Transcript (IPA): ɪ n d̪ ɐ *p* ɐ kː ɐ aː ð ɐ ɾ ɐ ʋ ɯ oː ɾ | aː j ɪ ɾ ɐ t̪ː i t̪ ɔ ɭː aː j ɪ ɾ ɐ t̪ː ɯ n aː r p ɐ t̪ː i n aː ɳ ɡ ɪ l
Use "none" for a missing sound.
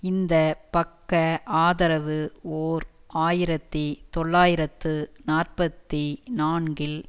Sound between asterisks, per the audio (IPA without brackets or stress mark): p